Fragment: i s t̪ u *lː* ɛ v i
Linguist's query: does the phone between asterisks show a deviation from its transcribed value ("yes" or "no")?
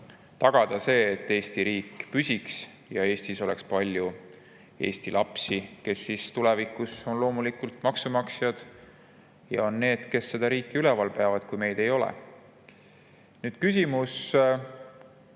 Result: yes